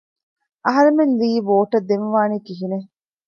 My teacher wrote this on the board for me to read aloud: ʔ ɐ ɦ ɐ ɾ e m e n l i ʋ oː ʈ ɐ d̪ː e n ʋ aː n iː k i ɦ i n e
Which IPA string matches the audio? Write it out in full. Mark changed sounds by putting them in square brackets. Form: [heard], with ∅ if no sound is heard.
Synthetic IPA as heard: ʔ ɐ ɦ ɐ ɾ e m e n l [iː] ʋ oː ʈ ɐ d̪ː e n ʋ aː n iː k i ɦ i n e